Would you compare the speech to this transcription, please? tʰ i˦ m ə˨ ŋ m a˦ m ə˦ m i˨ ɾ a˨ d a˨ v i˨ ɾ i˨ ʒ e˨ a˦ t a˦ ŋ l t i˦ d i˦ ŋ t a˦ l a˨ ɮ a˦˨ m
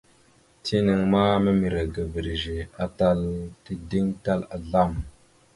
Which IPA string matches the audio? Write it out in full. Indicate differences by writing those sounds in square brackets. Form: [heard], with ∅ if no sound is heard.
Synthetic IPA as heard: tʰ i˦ [n] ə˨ ŋ m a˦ m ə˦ m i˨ ɾ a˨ [ɡ] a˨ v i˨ ɾ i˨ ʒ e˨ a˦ t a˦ [∅] l t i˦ d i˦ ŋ t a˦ l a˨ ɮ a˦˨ m

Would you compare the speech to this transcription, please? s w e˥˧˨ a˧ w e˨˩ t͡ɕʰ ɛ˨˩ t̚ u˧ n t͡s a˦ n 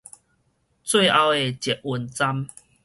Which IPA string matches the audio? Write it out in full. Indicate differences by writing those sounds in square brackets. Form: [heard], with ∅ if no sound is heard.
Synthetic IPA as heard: [t͡s] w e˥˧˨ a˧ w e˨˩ [t͡ɕ] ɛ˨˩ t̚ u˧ n t͡s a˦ [m]

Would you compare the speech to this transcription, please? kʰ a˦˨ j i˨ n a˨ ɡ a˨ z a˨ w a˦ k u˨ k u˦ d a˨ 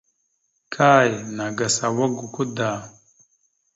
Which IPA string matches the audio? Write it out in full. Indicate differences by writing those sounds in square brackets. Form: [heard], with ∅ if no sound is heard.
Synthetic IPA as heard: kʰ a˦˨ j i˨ n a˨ ɡ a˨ [s] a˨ w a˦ [ɡ] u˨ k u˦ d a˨

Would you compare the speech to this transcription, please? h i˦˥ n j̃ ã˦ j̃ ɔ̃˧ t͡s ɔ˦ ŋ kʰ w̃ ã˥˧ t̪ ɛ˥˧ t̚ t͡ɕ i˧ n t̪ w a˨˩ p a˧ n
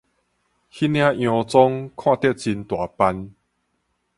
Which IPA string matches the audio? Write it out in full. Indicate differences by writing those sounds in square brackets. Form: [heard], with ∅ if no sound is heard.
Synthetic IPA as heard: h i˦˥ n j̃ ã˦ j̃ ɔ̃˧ t͡s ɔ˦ ŋ kʰ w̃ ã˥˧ t̪ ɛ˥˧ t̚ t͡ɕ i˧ n t̪ w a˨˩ p a˧ n

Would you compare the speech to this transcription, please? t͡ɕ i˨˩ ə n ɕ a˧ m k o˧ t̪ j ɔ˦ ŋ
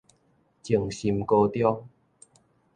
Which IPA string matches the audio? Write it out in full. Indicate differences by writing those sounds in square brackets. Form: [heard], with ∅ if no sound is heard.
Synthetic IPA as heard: t͡ɕ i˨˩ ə [ŋ] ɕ [i˧] m k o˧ t̪ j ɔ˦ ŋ

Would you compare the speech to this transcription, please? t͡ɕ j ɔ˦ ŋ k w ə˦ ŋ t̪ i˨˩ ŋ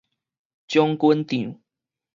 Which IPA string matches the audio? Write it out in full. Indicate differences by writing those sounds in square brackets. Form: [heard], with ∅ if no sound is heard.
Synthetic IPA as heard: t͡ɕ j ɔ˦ ŋ k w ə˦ [n] t̪ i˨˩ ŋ

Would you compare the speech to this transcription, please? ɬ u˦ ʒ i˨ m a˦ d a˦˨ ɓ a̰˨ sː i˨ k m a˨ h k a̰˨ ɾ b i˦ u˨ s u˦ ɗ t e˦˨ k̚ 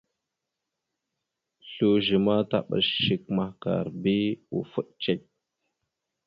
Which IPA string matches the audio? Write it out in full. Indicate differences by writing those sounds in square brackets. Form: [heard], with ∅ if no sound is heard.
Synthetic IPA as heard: ɬ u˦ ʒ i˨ m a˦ [t] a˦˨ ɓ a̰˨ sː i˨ k m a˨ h k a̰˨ ɾ b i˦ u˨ [f] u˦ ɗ [t͡ʃ] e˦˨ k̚

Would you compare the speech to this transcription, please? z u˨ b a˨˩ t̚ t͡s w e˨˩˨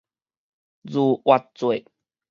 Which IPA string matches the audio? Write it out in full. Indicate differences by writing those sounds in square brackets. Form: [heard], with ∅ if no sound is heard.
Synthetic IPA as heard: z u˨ [w] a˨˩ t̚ t͡s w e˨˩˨

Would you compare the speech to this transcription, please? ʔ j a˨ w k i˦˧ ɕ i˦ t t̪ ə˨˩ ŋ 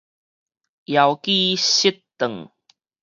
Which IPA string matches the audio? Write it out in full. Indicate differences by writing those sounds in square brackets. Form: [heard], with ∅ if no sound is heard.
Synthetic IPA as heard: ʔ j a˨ w k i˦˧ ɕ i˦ t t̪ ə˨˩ ŋ

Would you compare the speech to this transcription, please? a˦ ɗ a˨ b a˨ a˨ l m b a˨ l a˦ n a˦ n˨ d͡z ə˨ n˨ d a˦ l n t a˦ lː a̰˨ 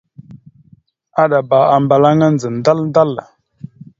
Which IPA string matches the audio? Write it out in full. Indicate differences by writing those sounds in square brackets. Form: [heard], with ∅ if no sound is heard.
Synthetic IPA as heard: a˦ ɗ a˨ b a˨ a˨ [∅] m b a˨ l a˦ [ŋ] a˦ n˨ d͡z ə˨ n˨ d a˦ l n [d] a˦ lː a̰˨

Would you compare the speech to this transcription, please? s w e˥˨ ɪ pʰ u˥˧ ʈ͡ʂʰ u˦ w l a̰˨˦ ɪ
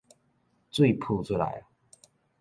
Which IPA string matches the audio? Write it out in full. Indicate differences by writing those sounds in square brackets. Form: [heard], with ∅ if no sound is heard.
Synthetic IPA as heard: [t͡s] w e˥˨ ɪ pʰ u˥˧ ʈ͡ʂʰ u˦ [∅] l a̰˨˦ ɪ

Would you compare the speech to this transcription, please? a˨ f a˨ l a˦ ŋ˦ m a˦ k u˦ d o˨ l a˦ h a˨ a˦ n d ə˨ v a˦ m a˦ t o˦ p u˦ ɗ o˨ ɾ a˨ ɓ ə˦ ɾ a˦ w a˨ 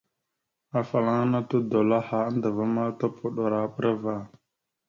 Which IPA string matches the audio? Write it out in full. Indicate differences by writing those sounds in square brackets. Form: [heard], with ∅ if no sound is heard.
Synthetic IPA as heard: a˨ f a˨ l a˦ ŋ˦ [n] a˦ [t] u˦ d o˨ l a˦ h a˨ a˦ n d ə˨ v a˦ m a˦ t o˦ p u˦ ɗ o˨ ɾ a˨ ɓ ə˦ ɾ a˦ [v] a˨

